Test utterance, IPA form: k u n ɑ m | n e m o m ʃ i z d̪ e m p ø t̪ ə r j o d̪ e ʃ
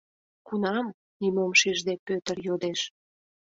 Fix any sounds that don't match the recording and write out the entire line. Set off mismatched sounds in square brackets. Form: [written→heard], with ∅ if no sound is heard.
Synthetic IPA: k u n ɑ m | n [e→i] m o m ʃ i [z→ʒ] d̪ e [m→∅] p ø t̪ ə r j o d̪ e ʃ